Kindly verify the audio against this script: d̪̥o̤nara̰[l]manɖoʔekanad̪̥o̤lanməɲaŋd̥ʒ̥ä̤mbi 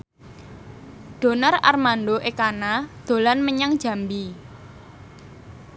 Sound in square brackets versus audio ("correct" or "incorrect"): incorrect